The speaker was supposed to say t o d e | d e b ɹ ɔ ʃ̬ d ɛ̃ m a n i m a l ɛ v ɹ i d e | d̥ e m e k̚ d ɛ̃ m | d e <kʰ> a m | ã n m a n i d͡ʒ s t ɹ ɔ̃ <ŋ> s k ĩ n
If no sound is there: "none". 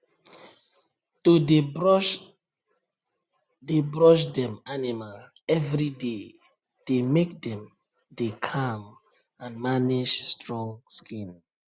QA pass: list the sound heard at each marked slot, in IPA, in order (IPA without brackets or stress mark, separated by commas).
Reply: kʰ, ŋ